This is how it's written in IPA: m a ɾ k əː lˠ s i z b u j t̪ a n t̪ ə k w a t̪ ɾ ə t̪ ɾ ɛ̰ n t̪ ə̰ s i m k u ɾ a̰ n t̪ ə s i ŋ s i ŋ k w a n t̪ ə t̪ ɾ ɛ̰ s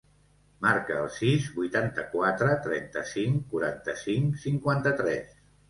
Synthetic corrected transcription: m a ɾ k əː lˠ s i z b u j t̪ a n t̪ ə k w a t̪ ɾ ə t̪ ɾ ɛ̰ n t̪ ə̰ s i ŋ k u ɾ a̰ n t̪ ə s i ŋ s i ŋ k w a n t̪ ə t̪ ɾ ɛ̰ s